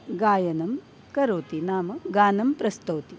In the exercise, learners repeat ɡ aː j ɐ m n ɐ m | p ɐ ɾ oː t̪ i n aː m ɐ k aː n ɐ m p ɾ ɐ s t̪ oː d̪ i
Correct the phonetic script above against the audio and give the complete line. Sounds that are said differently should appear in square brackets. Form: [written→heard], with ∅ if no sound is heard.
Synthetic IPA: ɡ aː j ɐ [m→∅] n ɐ m | [p→k] ɐ ɾ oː t̪ i n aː m ɐ [k→ɡ] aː n ɐ m p ɾ ɐ s t̪ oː [d̪→t̪] i